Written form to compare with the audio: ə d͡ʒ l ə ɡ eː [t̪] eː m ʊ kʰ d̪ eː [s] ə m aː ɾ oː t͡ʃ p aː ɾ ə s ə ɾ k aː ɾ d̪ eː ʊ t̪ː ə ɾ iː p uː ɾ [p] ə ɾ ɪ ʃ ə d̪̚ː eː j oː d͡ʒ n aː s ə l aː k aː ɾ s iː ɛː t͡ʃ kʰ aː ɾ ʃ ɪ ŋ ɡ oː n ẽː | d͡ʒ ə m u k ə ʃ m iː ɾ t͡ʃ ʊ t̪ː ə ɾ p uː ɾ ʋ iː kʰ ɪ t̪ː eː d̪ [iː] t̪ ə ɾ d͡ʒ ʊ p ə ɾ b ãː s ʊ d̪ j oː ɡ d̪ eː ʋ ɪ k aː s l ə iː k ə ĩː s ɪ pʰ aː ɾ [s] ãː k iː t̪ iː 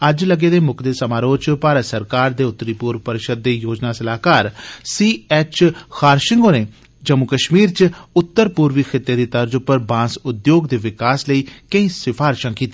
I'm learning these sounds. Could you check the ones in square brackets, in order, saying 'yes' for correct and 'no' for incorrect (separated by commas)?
no, yes, yes, yes, no